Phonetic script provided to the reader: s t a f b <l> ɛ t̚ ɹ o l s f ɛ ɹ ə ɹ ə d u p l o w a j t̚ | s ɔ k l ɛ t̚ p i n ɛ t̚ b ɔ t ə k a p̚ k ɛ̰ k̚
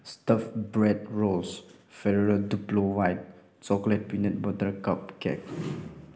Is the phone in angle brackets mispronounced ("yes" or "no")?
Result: yes